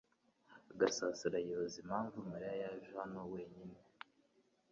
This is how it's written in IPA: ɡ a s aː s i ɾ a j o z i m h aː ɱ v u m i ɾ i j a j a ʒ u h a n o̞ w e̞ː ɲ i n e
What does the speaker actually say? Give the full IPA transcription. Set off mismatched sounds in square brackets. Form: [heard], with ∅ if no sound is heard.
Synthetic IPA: ɡ a s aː s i ɾ a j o z i m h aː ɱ v u m [a] ɾ i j a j a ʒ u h a n o̞ w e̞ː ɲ i n e